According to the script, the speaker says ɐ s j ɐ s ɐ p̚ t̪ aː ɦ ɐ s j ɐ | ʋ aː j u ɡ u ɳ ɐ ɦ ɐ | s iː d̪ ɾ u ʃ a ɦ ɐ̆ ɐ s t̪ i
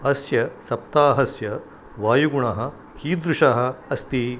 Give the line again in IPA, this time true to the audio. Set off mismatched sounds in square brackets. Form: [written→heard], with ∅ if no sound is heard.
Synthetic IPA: ɐ s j ɐ s ɐ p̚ t̪ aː ɦ ɐ s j ɐ | ʋ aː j u ɡ u ɳ ɐ ɦ ɐ | [s→h] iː d̪ ɾ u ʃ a ɦ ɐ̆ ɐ s t̪ i

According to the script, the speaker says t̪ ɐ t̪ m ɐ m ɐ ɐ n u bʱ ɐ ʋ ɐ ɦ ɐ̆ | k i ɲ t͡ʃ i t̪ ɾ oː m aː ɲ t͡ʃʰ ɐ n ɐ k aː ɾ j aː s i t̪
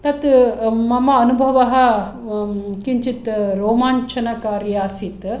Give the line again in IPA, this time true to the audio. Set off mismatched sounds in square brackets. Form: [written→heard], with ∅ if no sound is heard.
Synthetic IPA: t̪ ɐ t̪ m ɐ m ɐ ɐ n u bʱ ɐ ʋ ɐ ɦ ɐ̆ | k i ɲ t͡ʃ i t̪ ɾ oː m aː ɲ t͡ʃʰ ɐ n ɐ k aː ɾ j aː s i t̪

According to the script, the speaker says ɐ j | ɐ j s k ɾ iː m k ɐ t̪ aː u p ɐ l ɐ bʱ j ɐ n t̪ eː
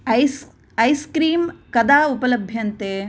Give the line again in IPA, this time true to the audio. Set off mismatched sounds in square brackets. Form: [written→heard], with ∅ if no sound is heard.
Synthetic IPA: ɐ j | ɐ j s k ɾ iː m k ɐ [t̪→d̪] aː u p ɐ l ɐ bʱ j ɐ n t̪ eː

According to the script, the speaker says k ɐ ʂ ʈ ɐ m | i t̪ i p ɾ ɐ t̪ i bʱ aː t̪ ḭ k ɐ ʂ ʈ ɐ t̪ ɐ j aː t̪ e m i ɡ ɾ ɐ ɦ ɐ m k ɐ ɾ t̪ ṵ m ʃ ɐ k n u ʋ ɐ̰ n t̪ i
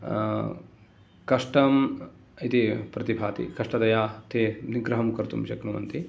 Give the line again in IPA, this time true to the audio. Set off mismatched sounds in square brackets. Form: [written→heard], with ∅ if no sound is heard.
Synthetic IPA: k ɐ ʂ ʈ ɐ m | i t̪ i p ɾ ɐ t̪ i bʱ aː t̪ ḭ k ɐ ʂ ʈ ɐ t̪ ɐ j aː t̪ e [m→n] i ɡ ɾ ɐ ɦ ɐ m k ɐ ɾ t̪ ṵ m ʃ ɐ k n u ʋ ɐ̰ n t̪ i

